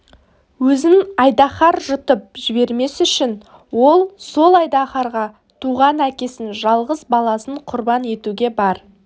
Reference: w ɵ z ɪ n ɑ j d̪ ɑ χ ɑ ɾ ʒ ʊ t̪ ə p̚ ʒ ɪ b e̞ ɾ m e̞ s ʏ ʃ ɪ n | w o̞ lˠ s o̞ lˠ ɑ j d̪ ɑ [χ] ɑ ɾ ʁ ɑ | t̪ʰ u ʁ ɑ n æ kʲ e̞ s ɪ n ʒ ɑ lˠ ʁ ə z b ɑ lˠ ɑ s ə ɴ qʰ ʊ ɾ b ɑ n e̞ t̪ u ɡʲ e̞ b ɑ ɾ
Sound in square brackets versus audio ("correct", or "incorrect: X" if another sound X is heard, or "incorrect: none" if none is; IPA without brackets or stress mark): correct